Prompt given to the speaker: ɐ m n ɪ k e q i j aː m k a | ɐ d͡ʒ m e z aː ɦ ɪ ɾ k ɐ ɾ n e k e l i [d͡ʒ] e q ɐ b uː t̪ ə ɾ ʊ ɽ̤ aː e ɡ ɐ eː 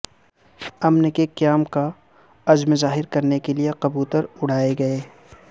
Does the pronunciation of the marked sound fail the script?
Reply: yes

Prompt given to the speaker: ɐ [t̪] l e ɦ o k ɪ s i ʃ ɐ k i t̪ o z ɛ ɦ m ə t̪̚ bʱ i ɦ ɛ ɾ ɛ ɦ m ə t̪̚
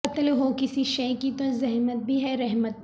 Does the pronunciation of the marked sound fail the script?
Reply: no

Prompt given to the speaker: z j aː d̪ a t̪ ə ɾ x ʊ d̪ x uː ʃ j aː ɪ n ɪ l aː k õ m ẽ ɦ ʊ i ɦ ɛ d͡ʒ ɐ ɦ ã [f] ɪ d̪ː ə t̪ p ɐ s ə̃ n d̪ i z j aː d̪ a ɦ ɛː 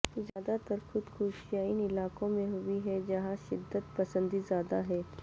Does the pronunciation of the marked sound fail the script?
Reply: yes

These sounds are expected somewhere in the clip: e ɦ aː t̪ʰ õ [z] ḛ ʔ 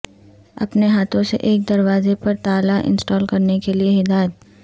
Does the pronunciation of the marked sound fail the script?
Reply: yes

